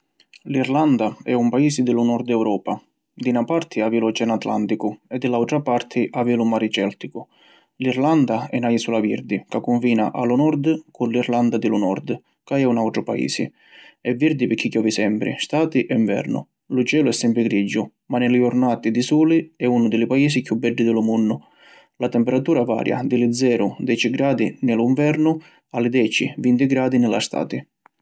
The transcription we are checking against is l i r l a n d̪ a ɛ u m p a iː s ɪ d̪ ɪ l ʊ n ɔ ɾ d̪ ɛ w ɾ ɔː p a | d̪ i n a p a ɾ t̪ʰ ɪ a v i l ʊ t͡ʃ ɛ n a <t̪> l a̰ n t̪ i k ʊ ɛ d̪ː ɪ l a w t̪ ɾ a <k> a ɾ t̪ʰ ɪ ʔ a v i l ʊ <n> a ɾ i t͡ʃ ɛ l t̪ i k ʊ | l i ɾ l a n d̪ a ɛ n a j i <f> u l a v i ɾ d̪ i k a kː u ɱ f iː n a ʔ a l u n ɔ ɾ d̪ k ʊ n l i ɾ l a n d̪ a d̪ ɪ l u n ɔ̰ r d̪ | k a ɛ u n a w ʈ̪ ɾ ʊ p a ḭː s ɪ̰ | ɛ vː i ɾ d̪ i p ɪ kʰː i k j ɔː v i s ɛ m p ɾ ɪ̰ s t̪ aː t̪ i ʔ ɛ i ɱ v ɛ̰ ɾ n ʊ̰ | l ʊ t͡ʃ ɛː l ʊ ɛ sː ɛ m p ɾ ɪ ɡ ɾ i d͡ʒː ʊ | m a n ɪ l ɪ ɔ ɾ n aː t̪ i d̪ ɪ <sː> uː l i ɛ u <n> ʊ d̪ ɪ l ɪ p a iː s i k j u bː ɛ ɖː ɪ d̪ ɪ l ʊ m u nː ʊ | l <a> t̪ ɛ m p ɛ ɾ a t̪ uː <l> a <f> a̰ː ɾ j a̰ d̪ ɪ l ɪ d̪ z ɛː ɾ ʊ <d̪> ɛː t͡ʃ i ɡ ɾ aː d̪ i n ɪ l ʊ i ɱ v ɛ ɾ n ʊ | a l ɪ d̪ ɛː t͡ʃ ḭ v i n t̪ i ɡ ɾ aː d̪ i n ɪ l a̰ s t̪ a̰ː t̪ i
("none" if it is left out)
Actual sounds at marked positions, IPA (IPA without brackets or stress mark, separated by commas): t̪, p, m, s, s, n, a, ɾ, v, d̪